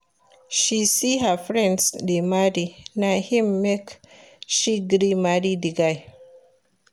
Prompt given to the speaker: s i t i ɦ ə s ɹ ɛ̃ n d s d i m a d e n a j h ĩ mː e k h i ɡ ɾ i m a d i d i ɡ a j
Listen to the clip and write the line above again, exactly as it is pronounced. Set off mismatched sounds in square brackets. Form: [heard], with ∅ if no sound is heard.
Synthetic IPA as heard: [ʃ] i [s] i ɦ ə [f] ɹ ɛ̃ n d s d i m a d [i] n a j h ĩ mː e k [ʃ] i ɡ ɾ i m a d i d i ɡ a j